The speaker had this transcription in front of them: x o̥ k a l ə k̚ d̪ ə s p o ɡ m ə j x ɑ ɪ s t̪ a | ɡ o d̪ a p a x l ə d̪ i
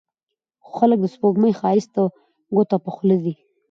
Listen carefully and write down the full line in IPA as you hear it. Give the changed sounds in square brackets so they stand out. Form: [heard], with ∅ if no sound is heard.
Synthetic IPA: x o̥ [x] a l ə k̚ d̪ ə s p o ɡ m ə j x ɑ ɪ s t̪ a | ɡ o [t̪] a p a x l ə d̪ i